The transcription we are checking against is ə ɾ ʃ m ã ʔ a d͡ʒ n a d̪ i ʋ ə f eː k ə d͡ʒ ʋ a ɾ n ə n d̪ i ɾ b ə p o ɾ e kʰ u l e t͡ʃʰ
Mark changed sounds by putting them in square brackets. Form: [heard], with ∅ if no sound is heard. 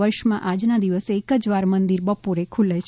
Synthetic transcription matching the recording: ə ɾ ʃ m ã ʔ a d͡ʒ n a d̪ i ʋ ə [s] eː k ə d͡ʒ ʋ a ɾ [m] ə n d̪ i ɾ b ə p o ɾ e kʰ u l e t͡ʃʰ